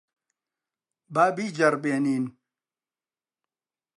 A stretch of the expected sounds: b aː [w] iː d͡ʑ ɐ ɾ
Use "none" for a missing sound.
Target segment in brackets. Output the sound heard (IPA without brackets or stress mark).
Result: b